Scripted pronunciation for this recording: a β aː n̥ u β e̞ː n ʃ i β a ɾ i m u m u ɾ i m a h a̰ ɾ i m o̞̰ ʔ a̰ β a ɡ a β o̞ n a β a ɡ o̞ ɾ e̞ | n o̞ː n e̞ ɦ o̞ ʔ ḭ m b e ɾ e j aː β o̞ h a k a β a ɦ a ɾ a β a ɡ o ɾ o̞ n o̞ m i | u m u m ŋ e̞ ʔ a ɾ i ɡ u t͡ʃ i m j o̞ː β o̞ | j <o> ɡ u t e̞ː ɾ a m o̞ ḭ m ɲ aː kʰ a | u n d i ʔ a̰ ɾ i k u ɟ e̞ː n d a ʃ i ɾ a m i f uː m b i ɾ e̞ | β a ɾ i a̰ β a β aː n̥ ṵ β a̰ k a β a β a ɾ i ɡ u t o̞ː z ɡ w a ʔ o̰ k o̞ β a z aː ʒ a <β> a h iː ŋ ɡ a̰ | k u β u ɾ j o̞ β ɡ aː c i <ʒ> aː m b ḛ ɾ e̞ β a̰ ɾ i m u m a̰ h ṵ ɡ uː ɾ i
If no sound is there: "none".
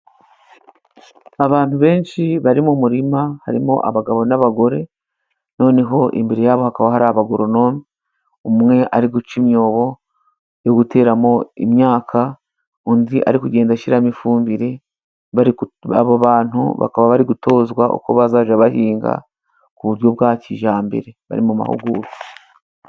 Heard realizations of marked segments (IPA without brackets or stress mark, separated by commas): o, β, ʒ